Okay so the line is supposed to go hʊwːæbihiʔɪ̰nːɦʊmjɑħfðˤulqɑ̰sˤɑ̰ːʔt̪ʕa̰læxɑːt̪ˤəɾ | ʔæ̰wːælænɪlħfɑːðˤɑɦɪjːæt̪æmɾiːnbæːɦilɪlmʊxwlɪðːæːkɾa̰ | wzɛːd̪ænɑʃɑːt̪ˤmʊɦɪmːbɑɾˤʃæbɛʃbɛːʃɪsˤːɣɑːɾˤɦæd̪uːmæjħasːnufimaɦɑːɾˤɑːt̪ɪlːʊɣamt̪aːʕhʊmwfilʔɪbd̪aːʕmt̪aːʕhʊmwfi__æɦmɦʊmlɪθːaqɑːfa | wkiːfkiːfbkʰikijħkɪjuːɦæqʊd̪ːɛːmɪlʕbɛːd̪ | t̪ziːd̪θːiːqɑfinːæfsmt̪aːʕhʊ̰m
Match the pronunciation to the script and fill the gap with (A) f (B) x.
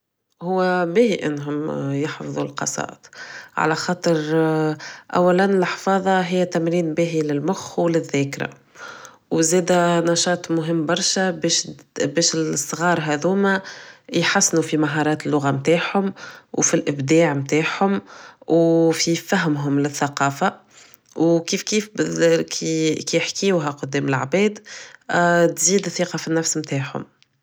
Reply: A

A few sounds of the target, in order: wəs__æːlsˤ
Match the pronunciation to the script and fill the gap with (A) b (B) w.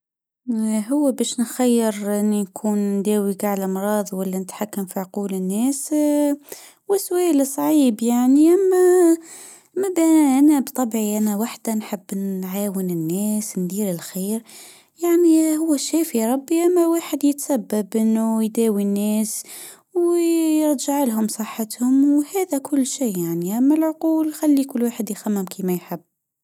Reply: B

